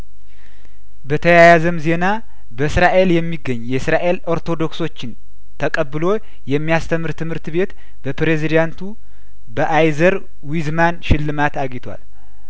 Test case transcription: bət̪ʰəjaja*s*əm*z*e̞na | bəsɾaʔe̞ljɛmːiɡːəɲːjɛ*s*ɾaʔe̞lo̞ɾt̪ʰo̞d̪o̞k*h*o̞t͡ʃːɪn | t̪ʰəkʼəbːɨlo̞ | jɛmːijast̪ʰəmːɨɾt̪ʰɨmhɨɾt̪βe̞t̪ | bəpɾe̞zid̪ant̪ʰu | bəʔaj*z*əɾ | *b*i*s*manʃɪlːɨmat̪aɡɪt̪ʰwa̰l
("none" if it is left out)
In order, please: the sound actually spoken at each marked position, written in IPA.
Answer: z, z, s, s, z, w, z

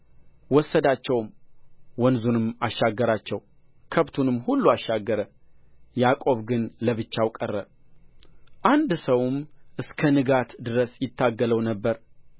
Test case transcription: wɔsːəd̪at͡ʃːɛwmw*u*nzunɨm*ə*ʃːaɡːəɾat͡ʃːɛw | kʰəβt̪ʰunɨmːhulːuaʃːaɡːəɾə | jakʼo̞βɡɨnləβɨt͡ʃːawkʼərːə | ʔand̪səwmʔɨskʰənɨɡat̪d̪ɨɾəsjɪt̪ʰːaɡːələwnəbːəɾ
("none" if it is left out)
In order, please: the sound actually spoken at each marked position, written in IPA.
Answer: ɔ, a

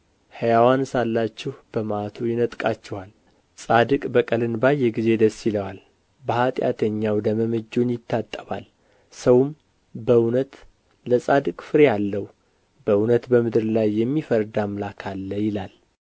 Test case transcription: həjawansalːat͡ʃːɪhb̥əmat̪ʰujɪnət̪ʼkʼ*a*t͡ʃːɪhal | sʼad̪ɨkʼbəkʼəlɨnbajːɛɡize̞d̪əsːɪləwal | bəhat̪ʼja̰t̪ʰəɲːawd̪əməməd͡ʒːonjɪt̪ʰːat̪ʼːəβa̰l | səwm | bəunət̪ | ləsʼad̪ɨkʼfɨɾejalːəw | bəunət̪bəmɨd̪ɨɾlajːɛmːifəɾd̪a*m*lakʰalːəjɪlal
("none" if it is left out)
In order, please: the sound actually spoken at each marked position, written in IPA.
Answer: a, m

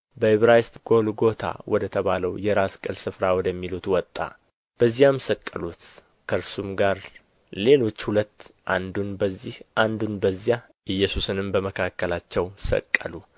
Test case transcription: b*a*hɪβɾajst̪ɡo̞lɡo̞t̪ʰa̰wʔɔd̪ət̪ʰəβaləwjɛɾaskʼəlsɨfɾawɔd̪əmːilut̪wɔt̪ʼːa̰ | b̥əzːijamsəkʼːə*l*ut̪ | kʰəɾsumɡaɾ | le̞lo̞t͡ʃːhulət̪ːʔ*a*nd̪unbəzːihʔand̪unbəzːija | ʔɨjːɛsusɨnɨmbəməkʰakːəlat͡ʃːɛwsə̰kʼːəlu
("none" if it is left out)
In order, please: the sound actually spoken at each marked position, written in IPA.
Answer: ə, l, a

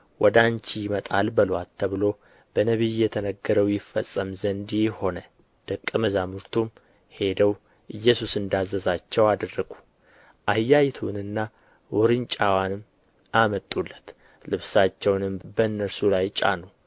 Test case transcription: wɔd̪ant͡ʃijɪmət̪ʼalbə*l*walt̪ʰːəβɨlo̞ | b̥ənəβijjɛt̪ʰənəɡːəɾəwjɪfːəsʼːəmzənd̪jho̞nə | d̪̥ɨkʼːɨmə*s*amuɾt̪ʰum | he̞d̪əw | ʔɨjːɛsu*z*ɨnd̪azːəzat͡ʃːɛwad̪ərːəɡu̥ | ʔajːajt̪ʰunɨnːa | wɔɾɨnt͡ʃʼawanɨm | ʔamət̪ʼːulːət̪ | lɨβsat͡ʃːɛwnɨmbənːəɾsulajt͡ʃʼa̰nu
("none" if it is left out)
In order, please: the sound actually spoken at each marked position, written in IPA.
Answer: l, z, s

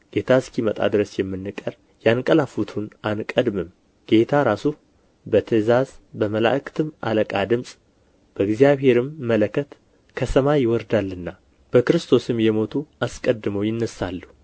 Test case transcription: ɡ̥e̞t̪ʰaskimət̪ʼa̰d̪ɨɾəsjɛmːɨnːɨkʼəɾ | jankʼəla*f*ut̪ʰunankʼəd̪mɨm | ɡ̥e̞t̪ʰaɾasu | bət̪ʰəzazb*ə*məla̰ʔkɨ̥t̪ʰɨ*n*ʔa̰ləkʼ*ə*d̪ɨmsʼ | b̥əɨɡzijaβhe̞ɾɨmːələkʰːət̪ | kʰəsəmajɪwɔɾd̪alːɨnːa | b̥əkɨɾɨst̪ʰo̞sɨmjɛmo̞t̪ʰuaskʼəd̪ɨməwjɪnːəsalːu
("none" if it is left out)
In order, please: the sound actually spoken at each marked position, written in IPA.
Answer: f, ə, m, a

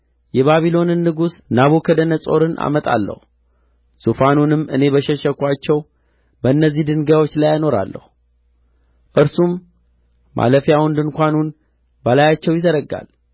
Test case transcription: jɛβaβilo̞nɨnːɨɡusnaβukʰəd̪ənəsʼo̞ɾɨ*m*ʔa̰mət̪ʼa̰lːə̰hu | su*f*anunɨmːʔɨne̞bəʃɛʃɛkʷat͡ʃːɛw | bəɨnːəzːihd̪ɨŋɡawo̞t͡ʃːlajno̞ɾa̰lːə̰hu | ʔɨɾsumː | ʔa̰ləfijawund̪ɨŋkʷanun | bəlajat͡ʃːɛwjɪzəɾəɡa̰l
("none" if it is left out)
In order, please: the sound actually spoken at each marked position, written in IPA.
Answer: n, f

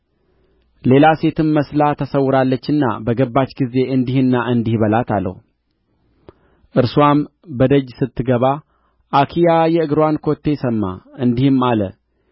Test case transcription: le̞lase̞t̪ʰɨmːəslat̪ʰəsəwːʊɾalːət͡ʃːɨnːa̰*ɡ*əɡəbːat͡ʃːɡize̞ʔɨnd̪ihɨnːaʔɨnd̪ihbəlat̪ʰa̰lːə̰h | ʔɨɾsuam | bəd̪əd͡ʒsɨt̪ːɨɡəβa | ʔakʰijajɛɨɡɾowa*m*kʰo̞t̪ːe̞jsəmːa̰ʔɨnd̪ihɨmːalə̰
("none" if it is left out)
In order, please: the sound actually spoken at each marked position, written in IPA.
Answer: b, n

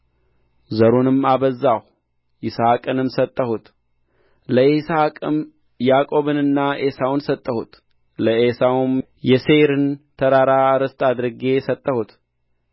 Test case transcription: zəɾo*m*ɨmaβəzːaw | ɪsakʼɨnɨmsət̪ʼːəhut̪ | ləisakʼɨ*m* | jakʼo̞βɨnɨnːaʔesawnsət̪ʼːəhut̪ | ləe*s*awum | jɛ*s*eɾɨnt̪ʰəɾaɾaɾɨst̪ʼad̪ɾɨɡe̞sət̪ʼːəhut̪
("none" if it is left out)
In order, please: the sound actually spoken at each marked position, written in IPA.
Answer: n, m, s, s

